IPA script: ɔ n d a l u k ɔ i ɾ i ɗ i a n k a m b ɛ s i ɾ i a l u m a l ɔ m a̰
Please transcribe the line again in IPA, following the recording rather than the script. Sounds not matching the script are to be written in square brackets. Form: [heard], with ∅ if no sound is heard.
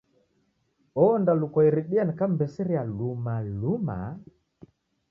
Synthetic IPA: ɔ n d a l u k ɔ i ɾ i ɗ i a n k a m b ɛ s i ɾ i a l u m a l [u] m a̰